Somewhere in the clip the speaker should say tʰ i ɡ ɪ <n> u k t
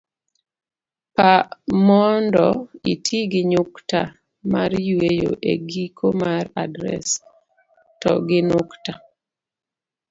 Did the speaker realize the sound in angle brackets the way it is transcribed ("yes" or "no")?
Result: no